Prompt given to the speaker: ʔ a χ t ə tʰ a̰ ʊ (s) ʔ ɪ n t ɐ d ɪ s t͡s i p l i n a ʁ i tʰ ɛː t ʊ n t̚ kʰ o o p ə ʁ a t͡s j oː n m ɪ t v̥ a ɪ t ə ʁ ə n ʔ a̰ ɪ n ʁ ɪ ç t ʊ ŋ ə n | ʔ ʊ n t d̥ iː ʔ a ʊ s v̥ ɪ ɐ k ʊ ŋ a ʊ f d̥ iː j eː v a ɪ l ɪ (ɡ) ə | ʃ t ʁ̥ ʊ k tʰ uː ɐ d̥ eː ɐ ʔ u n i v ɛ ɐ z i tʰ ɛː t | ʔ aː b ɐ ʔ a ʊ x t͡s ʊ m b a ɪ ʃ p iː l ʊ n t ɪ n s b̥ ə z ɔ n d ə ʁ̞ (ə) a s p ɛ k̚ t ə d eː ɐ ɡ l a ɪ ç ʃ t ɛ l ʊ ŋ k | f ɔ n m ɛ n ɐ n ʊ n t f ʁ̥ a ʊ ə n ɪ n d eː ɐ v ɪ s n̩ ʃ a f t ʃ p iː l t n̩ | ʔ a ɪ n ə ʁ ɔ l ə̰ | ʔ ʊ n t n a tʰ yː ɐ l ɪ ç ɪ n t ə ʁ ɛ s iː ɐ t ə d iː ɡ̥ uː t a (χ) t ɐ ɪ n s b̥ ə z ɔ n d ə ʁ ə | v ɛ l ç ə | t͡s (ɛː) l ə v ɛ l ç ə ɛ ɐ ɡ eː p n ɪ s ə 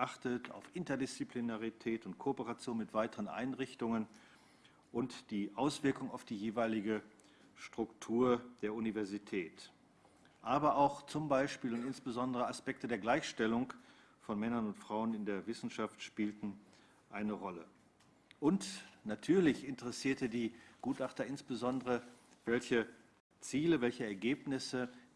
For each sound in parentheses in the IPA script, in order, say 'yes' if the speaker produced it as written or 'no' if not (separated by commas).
no, yes, yes, yes, no